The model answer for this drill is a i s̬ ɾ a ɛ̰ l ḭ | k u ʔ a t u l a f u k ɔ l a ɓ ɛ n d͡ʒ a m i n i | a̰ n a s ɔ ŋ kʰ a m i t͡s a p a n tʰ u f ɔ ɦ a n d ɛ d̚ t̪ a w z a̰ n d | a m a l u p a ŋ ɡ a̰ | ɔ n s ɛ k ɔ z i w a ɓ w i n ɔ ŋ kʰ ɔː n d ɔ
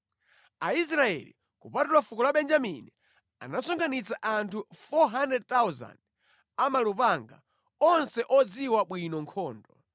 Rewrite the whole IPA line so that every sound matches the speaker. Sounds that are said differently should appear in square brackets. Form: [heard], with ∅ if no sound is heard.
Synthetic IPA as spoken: a i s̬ ɾ a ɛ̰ l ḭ | k u [p] a t u l a f u k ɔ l a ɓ ɛ n d͡ʒ a m i n i | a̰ n a s ɔ ŋ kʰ a [n] i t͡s a [ʔ] a n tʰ u f ɔ ɦ a n d ɛ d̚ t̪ a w z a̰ n d | a m a l u p a ŋ ɡ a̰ | ɔ n s ɛ [ʔ] ɔ [d͡z] i w a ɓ w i n ɔ ŋ kʰ ɔː n d ɔ